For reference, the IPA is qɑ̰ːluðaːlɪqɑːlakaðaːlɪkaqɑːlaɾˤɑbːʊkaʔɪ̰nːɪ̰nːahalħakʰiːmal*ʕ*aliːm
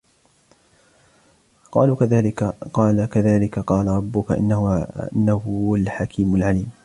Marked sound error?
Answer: no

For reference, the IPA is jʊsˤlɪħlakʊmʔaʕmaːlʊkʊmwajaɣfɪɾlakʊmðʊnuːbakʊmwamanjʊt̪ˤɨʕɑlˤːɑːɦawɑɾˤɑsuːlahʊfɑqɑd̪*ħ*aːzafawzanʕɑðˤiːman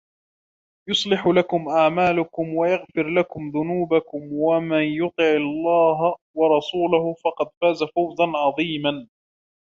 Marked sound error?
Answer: yes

